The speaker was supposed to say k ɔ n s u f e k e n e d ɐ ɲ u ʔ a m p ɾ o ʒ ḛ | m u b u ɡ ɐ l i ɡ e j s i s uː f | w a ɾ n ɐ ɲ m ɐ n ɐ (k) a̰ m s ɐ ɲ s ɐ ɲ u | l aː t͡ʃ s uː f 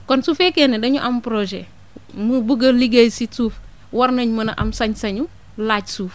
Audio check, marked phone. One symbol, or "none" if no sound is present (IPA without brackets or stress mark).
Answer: ʔ